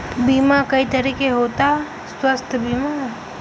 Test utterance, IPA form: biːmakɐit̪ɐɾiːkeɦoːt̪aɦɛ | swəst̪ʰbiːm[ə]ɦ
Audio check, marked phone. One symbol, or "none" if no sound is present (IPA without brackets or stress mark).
a